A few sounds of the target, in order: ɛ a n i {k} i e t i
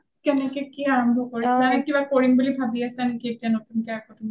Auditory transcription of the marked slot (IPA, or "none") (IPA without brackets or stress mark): k